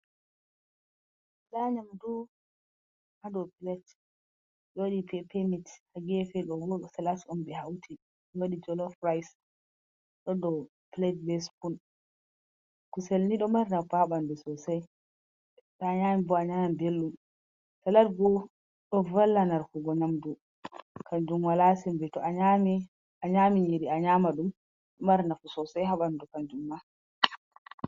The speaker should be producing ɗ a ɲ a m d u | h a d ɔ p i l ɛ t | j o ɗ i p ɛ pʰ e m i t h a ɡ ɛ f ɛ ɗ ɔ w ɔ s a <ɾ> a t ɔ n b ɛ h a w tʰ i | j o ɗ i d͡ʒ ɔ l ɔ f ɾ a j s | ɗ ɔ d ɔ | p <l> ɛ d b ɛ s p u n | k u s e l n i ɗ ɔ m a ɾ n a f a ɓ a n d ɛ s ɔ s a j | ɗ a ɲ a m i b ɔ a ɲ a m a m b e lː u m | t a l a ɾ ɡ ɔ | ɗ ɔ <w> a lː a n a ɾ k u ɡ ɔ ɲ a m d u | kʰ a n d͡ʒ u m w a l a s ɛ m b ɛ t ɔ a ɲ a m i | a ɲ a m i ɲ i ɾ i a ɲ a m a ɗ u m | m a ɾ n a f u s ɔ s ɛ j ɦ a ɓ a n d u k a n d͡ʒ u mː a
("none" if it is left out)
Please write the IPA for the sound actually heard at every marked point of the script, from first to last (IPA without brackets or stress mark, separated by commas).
l, l, v